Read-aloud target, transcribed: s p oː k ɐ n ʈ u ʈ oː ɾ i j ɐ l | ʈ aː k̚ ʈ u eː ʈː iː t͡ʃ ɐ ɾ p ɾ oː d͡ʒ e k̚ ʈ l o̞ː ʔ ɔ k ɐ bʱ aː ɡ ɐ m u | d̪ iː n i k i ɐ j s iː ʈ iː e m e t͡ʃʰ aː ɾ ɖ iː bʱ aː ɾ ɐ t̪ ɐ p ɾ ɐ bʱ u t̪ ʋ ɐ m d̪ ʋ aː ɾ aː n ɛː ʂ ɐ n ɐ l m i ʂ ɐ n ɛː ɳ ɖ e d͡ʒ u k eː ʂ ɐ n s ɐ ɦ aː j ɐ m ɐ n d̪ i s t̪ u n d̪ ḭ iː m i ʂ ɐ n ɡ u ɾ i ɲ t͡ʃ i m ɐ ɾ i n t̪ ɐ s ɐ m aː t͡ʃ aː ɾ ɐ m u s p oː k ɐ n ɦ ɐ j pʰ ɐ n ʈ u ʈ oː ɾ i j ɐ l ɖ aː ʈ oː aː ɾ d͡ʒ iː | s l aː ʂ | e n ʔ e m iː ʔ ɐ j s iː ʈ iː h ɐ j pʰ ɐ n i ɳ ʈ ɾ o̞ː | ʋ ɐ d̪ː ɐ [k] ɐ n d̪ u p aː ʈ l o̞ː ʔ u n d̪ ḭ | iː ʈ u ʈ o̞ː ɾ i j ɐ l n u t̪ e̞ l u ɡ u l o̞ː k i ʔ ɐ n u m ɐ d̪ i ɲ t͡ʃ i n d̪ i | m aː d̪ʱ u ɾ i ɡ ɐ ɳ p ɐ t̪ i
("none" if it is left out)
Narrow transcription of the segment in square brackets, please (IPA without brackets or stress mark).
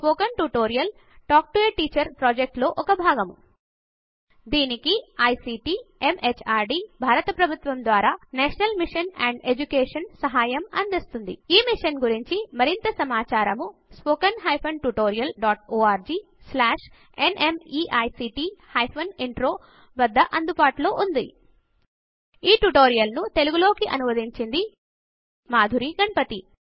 ʔ